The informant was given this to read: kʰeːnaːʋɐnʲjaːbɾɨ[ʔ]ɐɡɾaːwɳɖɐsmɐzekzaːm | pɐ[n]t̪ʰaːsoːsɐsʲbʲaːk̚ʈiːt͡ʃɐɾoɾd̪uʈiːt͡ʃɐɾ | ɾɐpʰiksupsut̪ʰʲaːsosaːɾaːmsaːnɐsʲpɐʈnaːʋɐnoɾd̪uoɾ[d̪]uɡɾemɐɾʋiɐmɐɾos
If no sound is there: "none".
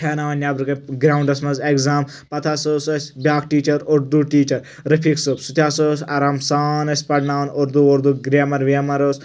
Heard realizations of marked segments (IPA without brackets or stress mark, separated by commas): k, none, d̪